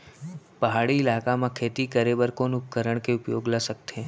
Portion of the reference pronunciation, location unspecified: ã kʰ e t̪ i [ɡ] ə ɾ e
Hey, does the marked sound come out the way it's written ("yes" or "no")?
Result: no